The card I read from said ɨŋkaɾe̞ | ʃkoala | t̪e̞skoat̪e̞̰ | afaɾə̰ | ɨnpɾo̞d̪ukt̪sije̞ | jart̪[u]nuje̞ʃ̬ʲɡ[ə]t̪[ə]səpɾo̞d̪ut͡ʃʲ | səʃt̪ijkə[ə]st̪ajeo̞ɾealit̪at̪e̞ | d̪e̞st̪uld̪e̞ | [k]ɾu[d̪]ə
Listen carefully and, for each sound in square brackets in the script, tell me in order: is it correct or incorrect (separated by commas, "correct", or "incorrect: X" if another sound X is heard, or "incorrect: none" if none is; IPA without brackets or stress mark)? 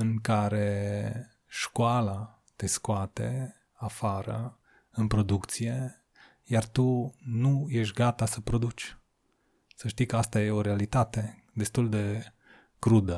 correct, incorrect: a, incorrect: a, incorrect: a, correct, correct